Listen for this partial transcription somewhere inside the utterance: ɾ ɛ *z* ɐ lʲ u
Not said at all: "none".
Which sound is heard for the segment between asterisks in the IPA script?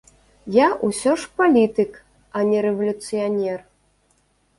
v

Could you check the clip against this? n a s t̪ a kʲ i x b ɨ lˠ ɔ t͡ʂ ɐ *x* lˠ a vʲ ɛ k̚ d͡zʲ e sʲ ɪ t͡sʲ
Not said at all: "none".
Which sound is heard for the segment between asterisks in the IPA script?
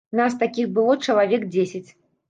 none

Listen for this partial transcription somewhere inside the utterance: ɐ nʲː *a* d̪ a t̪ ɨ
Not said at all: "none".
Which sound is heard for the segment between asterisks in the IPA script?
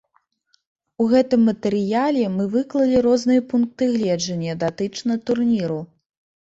ɐ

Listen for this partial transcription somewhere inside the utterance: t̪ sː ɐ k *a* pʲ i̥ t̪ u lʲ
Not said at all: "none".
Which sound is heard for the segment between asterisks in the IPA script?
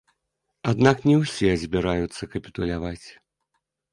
ɐ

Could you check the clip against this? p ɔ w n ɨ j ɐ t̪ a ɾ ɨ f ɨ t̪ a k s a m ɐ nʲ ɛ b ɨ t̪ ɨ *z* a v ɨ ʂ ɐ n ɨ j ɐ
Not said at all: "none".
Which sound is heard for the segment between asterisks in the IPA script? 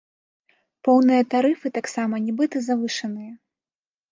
z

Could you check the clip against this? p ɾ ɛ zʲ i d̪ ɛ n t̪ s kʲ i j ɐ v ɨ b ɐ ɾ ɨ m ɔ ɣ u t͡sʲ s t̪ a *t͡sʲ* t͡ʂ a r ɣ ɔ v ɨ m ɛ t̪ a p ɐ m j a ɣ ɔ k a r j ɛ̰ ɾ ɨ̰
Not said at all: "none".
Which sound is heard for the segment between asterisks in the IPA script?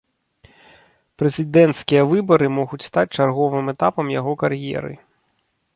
t͡sʲ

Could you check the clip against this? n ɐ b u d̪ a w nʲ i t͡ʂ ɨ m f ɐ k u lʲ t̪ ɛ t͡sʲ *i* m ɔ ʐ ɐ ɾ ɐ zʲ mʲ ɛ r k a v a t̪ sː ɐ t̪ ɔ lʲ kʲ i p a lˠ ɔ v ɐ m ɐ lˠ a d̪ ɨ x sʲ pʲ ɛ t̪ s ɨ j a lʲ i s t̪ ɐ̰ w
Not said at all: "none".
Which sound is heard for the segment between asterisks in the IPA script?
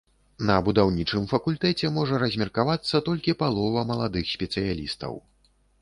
ɛ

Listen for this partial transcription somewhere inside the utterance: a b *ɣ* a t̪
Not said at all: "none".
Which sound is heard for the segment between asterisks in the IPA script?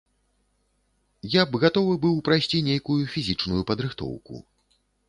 ɣ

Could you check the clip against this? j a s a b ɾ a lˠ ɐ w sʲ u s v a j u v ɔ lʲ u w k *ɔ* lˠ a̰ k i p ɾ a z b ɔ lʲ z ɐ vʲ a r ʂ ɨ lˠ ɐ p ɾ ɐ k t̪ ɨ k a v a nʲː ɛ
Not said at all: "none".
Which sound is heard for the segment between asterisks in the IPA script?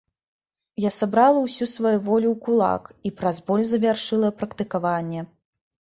u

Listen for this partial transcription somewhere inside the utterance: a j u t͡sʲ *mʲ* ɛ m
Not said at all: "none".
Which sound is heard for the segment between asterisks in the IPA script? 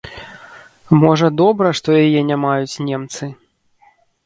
nʲ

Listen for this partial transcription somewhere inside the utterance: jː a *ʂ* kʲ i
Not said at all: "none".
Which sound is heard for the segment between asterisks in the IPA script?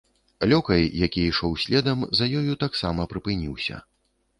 none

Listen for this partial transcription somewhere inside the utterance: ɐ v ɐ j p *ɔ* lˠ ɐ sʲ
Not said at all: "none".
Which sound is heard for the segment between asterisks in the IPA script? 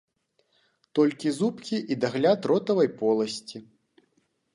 ɔ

